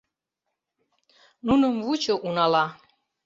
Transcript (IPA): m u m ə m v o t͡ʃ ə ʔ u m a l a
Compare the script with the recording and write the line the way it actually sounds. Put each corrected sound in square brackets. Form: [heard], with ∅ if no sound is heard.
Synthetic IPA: [n] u [n] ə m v [u] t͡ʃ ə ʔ u [n] a l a